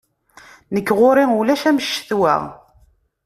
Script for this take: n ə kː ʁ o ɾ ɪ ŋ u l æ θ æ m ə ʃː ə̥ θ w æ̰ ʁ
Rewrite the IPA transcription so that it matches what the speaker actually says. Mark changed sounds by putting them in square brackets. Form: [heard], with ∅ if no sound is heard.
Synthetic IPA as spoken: n ə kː ʁ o ɾ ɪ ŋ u l æ [ʃ] æ m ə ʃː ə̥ θ w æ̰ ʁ